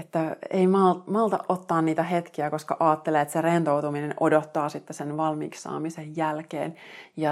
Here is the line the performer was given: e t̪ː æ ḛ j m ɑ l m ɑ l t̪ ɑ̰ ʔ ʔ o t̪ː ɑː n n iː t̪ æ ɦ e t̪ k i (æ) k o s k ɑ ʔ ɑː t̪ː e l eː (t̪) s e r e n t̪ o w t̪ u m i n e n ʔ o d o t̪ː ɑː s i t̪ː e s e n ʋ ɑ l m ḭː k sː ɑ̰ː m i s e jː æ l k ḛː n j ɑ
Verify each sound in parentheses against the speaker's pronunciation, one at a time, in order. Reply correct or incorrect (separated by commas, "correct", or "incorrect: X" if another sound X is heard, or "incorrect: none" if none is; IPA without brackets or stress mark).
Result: correct, correct